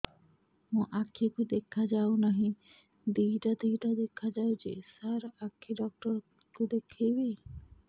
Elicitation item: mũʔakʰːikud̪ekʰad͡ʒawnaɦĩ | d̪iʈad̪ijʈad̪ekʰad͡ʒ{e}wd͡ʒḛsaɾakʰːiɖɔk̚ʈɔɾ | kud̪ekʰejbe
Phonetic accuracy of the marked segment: incorrect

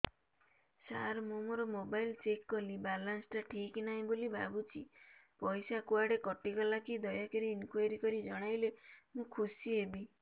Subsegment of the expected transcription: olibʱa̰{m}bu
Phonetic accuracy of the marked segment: incorrect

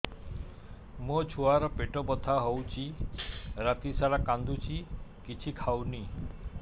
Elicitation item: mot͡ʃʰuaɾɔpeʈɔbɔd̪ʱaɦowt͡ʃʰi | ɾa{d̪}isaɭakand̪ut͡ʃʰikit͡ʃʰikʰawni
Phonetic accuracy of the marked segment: incorrect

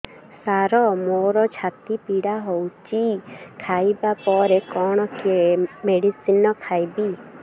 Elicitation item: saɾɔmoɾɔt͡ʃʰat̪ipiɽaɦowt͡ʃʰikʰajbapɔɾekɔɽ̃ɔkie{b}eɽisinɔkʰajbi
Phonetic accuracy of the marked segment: incorrect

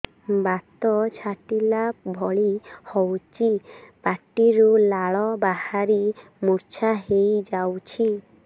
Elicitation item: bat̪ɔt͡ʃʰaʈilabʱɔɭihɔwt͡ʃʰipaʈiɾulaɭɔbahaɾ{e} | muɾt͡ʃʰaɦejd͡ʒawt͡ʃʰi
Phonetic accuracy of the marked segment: incorrect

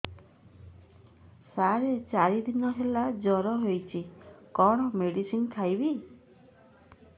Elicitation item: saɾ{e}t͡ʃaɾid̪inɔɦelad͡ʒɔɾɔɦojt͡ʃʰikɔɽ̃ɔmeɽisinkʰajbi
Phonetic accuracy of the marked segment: correct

